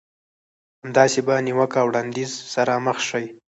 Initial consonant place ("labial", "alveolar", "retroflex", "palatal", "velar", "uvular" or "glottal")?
glottal